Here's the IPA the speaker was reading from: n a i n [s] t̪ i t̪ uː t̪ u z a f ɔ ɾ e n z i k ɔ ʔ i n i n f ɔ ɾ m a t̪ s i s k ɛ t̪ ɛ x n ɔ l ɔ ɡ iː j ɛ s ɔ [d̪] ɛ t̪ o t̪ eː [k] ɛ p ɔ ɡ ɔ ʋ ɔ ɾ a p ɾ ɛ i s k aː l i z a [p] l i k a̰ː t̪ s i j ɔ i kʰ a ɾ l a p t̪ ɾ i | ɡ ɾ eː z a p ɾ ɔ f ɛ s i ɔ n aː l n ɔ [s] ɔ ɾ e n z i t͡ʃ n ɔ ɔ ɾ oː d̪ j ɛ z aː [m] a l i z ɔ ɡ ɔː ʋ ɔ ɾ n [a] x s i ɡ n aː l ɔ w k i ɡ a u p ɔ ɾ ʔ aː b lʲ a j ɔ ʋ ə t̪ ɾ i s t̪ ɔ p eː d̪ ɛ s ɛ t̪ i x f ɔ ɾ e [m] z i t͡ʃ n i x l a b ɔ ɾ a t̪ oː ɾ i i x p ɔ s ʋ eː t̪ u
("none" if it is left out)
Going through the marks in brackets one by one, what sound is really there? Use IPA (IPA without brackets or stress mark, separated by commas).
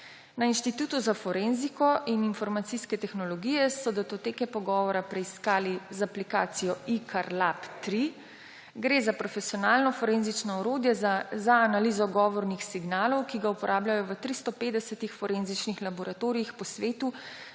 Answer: ʃ, d̪, k, p, f, n, i, n